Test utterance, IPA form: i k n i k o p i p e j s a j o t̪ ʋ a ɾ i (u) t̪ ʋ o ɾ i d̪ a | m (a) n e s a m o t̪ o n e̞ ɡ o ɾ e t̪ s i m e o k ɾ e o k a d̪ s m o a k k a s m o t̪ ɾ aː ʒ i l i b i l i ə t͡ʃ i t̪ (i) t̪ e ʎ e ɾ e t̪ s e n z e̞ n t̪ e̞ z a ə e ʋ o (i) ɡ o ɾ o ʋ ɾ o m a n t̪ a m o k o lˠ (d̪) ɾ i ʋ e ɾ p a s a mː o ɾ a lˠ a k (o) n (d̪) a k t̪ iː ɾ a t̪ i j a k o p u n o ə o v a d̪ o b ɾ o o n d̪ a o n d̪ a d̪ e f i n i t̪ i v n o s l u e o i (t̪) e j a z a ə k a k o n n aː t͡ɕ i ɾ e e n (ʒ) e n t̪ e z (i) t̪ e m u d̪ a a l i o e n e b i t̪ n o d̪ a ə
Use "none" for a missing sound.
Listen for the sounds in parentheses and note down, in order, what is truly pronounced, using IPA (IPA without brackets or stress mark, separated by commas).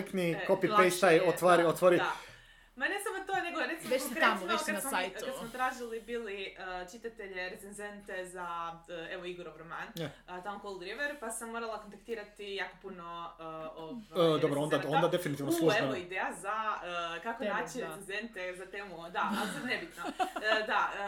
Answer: o, a, a, i, d̪, o, t̪, d̪, z, a